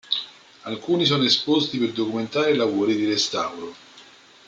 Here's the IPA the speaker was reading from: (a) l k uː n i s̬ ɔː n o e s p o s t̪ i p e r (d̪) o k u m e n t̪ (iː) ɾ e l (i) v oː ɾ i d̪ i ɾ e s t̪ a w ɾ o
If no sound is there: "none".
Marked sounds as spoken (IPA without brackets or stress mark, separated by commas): a, d̪, aː, a